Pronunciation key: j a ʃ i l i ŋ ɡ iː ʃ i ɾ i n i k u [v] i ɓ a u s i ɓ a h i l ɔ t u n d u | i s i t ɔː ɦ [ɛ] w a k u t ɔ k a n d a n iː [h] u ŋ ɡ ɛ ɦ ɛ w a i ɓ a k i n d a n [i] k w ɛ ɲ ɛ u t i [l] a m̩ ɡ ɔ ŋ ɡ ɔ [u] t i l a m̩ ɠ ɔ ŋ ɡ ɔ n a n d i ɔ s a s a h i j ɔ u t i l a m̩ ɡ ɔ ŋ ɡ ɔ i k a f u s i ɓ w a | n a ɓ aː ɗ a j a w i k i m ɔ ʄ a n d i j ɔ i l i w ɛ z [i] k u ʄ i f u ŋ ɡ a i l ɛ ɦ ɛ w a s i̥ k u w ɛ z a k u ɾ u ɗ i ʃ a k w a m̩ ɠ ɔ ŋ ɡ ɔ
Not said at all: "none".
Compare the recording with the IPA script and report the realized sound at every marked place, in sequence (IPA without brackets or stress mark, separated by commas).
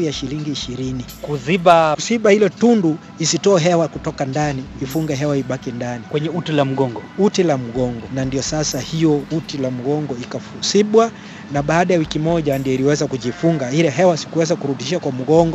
z, ɛ, f, i, l, u, a